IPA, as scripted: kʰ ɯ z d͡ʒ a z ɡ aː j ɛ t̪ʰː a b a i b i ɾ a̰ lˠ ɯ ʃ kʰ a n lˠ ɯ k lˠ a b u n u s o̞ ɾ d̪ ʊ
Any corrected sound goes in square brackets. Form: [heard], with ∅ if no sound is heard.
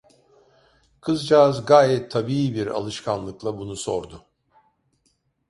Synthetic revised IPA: kʰ ɯ z d͡ʒ a z ɡ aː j ɛ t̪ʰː a b [i] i b i ɾ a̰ lˠ ɯ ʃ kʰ a n lˠ ɯ k lˠ a b u n u s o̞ ɾ d̪ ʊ